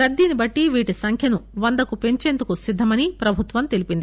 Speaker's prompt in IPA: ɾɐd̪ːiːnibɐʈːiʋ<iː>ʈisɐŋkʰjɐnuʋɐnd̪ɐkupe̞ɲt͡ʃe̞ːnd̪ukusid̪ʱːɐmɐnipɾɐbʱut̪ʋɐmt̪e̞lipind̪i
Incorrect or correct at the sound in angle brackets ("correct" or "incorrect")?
correct